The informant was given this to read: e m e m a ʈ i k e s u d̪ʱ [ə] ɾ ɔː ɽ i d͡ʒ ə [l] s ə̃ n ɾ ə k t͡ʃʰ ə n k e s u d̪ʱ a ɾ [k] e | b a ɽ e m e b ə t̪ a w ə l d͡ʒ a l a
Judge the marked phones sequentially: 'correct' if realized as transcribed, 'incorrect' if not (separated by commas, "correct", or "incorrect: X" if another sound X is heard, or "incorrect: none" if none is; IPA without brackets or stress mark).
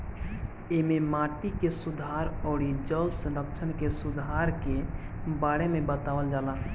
incorrect: a, correct, correct